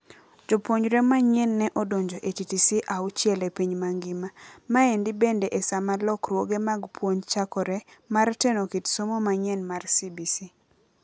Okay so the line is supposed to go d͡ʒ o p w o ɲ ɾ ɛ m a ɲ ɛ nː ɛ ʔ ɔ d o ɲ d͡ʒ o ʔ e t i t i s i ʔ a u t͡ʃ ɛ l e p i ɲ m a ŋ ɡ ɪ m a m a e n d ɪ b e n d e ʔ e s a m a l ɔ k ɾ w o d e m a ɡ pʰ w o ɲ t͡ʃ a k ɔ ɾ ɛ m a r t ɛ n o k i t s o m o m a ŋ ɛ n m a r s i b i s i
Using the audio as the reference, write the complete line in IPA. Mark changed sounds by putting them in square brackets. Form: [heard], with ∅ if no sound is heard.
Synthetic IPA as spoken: d͡ʒ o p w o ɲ ɾ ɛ m a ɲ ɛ nː ɛ ʔ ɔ d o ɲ d͡ʒ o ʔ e t i t i s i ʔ a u t͡ʃ ɛ l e p i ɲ m a ŋ ɡ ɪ m a m a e n d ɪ b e n d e ʔ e s a m a l ɔ k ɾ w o [ɡ] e m a ɡ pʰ w o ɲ t͡ʃ a k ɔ ɾ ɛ m a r t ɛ n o k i t s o m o m a [ɲ] ɛ n m a r s i b i s i